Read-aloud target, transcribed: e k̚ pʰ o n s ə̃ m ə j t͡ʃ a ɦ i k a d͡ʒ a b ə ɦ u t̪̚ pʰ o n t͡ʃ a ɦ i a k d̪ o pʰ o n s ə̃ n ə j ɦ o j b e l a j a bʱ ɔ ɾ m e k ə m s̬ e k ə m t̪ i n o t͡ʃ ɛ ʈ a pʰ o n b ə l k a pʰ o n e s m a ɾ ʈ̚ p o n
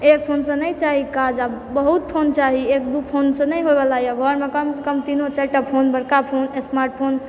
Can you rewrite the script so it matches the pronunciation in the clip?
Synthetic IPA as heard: e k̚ pʰ o n s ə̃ n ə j t͡ʃ a ɦ i k a d͡ʒ a b ə ɦ u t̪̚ pʰ o n t͡ʃ a ɦ i e k d̪ u pʰ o n s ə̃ n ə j ɦ o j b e l a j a ɡʱ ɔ ɾ m e k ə m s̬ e k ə m t̪ i n o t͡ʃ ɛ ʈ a pʰ o n b ə ɽ k a pʰ o n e s m a ɾ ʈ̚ pʰ o n